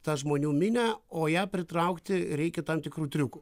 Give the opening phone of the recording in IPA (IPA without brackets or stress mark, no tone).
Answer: t̪